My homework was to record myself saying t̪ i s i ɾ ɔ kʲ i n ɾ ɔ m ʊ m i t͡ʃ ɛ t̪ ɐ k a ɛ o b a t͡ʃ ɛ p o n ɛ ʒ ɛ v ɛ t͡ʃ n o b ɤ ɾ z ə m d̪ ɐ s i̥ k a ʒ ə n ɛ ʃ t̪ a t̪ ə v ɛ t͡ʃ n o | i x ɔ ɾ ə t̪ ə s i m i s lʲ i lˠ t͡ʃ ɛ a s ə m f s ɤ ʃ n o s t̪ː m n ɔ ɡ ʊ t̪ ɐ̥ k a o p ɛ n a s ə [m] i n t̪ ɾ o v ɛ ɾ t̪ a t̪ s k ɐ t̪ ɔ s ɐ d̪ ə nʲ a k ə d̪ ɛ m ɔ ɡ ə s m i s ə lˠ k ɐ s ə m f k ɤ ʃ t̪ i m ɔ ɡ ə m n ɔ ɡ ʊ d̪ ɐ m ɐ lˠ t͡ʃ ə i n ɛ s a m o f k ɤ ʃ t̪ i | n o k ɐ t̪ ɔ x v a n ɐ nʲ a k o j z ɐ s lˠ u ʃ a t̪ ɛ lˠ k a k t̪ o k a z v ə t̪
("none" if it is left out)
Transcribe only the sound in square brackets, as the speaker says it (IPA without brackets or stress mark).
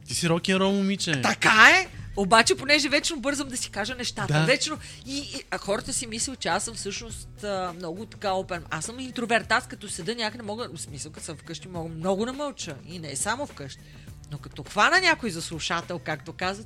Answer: m